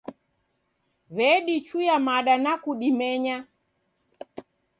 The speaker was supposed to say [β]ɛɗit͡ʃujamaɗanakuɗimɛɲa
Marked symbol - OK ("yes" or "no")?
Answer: yes